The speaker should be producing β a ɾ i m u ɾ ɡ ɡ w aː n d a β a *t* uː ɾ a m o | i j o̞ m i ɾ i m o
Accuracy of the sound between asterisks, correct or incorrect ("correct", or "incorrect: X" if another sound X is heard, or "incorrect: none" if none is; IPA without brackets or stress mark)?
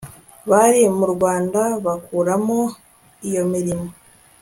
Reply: incorrect: k